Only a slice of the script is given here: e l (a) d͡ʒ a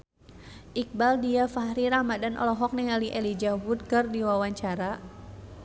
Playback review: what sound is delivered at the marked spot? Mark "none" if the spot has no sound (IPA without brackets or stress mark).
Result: i